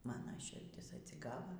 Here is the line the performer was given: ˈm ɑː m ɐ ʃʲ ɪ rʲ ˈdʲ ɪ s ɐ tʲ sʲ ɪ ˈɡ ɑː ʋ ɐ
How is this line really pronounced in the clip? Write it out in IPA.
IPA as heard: ˈm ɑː n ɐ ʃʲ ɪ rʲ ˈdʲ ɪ s ɐ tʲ sʲ ɪ ˈɡ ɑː ʋ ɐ